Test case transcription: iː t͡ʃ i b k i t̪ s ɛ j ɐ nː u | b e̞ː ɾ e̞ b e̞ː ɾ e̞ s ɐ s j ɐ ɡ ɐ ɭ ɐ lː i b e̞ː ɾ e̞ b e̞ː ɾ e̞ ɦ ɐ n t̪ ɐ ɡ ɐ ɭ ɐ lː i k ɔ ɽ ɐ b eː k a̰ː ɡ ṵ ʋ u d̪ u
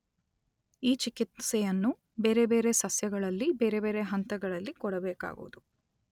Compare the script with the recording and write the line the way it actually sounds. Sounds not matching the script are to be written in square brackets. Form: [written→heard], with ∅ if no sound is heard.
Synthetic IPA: iː t͡ʃ i [b→∅] k i t̪ s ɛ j ɐ nː u | b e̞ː ɾ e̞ b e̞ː ɾ e̞ s ɐ s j ɐ ɡ ɐ ɭ ɐ lː i b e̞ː ɾ e̞ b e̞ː ɾ e̞ ɦ ɐ n t̪ ɐ ɡ ɐ ɭ ɐ lː i k ɔ ɽ ɐ b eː k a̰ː ɡ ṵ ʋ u d̪ u